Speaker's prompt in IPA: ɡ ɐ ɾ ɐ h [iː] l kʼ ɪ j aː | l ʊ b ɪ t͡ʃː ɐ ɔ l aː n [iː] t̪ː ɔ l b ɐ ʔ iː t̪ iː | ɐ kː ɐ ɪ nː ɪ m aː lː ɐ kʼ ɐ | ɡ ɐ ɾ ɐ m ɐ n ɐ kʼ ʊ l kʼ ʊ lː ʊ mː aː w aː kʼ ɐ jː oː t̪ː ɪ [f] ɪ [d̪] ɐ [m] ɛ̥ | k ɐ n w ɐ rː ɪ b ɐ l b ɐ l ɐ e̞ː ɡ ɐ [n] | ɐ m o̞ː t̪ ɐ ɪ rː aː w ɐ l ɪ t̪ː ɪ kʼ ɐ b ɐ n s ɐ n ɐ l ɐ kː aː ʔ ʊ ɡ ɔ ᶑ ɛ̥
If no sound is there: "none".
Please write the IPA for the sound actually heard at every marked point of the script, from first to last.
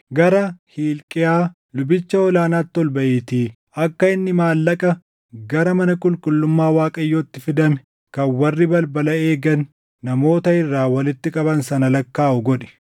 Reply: iː, aː, f, d̪, m, nː

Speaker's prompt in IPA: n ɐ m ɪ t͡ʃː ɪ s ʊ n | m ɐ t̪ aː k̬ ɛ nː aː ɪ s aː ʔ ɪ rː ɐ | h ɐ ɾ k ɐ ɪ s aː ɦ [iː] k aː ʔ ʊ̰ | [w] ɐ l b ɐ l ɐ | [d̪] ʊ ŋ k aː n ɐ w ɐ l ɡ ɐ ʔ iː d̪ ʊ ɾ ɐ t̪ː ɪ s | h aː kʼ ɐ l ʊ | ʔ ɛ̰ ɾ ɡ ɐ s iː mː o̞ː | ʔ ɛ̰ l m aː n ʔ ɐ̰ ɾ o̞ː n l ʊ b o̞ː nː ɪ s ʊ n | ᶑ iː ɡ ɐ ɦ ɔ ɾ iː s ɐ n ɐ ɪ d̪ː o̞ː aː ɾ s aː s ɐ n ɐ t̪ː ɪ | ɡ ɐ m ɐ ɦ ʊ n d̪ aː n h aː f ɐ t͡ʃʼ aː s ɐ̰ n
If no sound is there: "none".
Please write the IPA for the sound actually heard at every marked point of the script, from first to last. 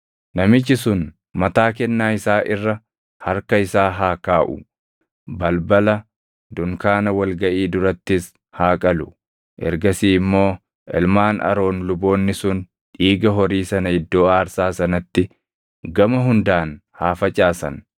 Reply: aː, b, d̪

